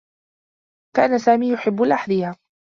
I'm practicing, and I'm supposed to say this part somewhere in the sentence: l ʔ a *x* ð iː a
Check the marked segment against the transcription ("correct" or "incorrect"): incorrect